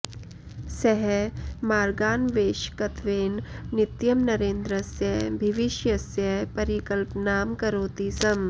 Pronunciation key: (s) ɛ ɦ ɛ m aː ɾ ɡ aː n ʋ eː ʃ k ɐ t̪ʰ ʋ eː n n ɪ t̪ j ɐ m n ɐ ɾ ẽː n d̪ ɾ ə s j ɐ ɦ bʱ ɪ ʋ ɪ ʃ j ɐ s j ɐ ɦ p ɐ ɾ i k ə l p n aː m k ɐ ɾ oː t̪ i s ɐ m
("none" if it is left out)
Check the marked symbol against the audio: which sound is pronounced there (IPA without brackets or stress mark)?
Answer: s